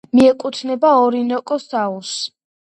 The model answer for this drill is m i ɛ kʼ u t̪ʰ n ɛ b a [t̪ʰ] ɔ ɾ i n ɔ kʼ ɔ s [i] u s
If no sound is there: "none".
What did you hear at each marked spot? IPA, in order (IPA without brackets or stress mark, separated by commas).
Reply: none, a